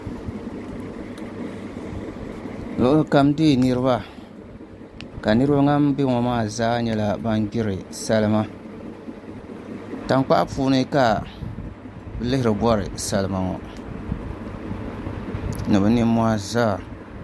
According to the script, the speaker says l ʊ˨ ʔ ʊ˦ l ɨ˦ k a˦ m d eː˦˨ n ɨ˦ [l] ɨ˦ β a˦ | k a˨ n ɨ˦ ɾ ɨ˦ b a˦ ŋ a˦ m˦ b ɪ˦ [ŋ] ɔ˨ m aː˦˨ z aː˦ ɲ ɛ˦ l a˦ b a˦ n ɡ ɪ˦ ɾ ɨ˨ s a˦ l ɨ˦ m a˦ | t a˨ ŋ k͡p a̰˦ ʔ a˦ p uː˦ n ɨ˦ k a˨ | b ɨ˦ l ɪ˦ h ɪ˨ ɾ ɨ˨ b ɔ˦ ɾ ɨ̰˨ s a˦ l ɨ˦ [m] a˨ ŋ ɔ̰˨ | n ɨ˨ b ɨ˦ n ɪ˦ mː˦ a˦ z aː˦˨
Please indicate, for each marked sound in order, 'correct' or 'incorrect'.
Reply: incorrect, correct, correct

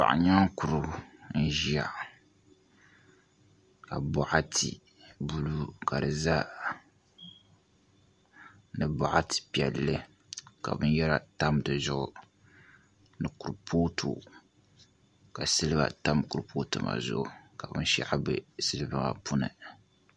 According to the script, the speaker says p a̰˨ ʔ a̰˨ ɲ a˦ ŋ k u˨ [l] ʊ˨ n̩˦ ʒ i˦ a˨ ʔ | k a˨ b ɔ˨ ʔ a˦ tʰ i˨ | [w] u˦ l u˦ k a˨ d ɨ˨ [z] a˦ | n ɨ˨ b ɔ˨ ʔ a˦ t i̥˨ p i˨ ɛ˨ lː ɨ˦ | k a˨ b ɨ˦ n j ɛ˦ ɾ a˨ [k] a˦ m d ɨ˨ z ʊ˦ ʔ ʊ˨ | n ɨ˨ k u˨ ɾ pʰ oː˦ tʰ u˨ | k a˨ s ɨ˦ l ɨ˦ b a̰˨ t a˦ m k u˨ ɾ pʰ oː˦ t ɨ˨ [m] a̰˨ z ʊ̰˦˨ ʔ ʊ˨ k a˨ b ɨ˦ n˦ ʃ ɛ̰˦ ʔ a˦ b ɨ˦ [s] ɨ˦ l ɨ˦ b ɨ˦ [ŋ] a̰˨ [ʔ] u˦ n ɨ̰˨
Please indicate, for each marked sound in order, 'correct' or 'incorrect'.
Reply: incorrect, incorrect, correct, incorrect, correct, correct, correct, incorrect

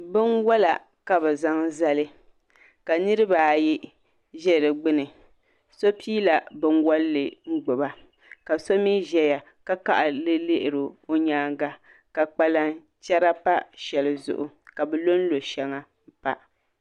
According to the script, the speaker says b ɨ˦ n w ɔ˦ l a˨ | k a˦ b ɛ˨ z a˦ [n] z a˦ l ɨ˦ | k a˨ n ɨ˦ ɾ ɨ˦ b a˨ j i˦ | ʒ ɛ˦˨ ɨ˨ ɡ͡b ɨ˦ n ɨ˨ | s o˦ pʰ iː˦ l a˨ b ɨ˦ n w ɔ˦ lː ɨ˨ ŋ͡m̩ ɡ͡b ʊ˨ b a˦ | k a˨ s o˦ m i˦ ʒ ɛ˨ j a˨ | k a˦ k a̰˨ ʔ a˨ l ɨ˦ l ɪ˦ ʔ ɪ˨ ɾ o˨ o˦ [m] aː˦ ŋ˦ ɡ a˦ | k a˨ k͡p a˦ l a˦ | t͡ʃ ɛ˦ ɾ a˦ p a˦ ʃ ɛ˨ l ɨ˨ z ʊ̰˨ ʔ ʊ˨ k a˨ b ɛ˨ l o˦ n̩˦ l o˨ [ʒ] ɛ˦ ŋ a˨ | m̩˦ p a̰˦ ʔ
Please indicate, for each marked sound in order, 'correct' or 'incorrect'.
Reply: incorrect, incorrect, incorrect

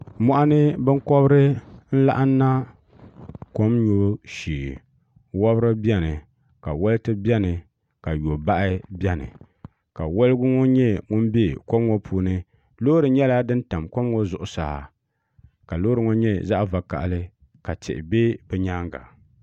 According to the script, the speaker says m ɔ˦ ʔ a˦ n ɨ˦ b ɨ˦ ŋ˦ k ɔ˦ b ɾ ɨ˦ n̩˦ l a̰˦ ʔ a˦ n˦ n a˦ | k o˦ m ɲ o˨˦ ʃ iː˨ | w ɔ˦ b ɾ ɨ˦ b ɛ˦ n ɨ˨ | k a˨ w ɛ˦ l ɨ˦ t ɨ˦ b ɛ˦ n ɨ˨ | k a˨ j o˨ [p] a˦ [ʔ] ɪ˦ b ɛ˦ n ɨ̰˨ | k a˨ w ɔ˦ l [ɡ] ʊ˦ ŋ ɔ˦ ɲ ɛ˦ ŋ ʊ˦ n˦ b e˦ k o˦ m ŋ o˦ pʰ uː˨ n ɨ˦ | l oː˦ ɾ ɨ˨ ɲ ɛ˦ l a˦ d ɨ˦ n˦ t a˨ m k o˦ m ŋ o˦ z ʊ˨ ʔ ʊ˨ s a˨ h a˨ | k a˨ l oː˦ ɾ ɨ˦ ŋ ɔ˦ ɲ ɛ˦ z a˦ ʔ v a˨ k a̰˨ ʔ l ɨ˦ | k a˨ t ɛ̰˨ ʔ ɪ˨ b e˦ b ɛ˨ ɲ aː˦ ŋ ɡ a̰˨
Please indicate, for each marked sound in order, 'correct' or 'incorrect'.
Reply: incorrect, correct, correct

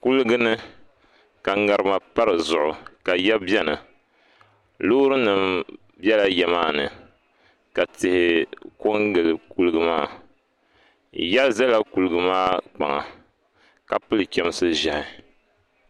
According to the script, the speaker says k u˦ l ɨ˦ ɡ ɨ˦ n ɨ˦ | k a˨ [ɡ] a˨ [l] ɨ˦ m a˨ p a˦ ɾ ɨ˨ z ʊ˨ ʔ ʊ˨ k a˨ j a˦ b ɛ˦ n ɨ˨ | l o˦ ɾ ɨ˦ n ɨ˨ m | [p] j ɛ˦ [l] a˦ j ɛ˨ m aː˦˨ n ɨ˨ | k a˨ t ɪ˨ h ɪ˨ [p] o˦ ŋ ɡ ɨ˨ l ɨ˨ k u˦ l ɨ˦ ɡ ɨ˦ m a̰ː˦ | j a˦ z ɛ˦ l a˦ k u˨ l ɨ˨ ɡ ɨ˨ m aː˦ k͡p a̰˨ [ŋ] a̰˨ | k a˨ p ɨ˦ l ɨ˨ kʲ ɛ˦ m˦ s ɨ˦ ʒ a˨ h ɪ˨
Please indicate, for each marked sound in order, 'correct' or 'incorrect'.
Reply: incorrect, incorrect, incorrect, correct, incorrect, correct

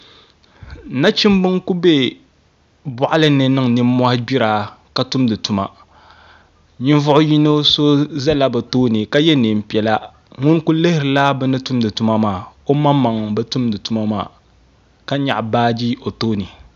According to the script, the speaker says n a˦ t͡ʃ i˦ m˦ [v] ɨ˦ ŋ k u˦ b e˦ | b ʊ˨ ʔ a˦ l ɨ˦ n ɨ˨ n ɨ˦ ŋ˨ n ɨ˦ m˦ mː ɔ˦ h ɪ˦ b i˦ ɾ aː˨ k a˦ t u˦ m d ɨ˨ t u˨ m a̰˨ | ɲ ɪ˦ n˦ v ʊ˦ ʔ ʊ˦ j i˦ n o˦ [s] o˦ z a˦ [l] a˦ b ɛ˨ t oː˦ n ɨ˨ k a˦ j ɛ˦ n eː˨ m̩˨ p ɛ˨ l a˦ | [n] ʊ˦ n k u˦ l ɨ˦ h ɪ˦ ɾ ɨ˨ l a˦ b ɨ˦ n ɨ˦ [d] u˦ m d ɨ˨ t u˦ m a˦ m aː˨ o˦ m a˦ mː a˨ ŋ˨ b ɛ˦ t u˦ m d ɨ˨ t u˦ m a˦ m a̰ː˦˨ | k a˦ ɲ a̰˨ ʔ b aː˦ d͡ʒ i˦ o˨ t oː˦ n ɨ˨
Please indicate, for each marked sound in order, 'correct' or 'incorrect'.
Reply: incorrect, correct, correct, incorrect, incorrect

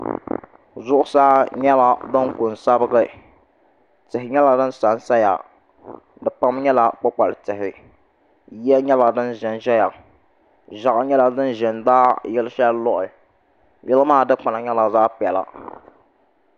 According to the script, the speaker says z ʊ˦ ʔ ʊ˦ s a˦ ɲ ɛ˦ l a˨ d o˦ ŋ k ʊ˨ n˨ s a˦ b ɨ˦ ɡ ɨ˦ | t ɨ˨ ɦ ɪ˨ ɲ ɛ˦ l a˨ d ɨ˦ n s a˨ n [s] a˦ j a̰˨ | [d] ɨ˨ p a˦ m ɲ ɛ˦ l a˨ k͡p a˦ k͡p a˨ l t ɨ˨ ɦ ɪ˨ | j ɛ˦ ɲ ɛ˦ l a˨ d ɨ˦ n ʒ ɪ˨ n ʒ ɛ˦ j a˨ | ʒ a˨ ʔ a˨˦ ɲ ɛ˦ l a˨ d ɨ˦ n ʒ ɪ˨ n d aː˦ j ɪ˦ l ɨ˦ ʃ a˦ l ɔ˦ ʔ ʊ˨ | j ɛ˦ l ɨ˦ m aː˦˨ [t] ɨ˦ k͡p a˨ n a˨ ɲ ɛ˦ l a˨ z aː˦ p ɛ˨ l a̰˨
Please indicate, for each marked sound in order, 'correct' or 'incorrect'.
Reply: correct, correct, incorrect

